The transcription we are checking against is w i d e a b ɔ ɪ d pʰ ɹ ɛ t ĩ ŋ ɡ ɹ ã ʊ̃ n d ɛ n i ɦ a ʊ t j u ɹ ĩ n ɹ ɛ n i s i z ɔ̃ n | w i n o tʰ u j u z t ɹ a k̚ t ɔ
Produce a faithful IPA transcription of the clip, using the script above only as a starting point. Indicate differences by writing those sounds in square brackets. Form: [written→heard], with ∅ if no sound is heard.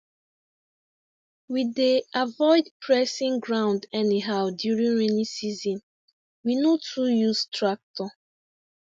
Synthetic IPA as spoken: w i d e a [b→v] ɔ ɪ d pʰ ɹ ɛ [t→s] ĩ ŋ ɡ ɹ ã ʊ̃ n d ɛ n i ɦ a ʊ [t→d] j u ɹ ĩ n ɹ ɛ n i s i z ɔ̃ n | w i n o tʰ u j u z t ɹ a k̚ t ɔ